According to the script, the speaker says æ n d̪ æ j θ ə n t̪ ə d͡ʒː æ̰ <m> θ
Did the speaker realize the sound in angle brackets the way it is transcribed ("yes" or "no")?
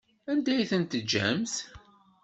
yes